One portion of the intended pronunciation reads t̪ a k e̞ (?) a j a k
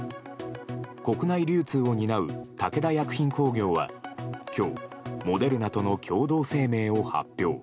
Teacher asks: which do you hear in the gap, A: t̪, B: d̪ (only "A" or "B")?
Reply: B